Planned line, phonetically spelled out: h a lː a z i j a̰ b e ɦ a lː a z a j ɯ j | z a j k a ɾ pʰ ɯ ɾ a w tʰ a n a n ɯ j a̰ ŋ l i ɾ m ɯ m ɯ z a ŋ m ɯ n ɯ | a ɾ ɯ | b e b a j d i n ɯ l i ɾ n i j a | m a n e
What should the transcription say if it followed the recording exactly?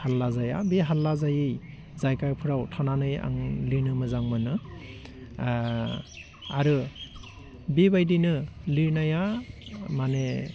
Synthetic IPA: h a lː a z a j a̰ b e ɦ a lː a z a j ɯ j | z a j k a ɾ pʰ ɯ ɾ a w tʰ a n a n ɯ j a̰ ŋ l i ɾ n ɯ m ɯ z a ŋ m ɯ n ɯ | a ɾ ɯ | b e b a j d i n ɯ l i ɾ n a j a | m a n e